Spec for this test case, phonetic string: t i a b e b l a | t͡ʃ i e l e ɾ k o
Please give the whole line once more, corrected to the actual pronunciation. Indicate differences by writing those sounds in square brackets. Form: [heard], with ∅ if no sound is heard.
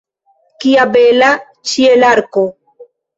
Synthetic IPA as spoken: [k] i a b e [∅] l a | t͡ʃ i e l [a] ɾ k o